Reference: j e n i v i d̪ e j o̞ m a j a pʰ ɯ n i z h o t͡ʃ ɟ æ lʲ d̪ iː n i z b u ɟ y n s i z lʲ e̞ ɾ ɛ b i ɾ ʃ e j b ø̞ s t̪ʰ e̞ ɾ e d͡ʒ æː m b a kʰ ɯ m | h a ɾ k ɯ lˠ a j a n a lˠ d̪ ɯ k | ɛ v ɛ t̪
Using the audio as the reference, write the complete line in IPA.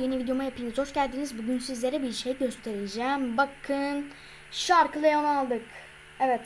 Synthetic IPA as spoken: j e n i v i d̪ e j o̞ m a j a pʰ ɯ n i z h o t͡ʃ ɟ æ lʲ d̪ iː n i z b u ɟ y n s i z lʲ e̞ ɾ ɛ b i ɾ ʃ e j ɟ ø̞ s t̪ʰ e̞ ɾ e d͡ʒ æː m b a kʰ ɯ n | ʃ a ɾ k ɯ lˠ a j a n a lˠ d̪ ɯ k | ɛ v ɛ t̪